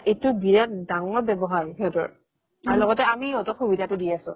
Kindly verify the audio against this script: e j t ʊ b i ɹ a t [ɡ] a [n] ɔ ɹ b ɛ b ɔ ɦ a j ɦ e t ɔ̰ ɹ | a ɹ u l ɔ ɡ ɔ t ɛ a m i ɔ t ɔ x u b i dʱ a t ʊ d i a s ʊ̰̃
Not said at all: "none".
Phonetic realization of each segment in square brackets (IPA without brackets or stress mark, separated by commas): d, ŋ